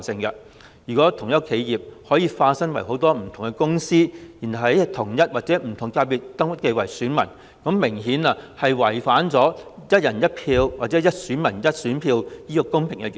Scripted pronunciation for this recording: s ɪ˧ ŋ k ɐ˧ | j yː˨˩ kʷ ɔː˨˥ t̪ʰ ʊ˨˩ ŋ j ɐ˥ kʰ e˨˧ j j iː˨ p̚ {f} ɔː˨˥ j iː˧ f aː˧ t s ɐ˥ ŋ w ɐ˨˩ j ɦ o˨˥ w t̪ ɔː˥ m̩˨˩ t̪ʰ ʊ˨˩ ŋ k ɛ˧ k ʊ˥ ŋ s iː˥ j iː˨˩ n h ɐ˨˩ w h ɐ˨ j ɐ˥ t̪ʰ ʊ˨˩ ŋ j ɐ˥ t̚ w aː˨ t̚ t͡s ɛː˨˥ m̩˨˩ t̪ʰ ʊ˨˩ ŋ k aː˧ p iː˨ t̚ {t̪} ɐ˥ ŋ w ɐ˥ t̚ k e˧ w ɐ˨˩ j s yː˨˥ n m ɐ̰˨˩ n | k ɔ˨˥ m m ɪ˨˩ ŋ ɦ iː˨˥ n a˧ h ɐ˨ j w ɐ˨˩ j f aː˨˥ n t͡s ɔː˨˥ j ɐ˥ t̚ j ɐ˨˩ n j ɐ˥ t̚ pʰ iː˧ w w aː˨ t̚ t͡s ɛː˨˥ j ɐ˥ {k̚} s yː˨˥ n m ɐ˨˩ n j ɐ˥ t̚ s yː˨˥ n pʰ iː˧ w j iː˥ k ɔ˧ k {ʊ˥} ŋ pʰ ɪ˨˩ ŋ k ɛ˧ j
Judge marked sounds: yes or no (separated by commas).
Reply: no, yes, no, yes